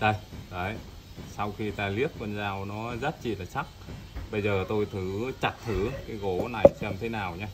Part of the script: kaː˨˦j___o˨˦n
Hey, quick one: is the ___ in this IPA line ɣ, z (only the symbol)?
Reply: ɣ